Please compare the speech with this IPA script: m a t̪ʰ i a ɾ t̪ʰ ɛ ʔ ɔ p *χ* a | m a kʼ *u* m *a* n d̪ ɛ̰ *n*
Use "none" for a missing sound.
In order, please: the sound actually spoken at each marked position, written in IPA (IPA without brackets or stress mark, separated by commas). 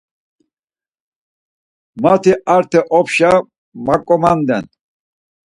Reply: ʃ, ɔ, a, n